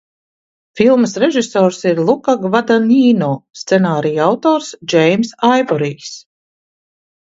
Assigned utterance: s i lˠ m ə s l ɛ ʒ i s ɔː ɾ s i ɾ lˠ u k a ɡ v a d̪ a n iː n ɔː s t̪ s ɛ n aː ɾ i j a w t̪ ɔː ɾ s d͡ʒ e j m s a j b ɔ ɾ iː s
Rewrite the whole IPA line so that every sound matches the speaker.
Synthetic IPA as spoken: f i lˠ m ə s ɾ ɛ ʒ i s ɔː ɾ s i ɾ lˠ u k a ɡ v a d̪ a n iː n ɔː s t̪ s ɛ n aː ɾ i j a w t̪ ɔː ɾ s d͡ʒ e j m s a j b ɔ ɾ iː s